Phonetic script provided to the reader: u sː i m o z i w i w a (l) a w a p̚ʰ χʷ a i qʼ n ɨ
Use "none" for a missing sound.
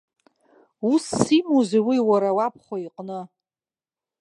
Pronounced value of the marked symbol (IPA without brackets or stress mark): ɾ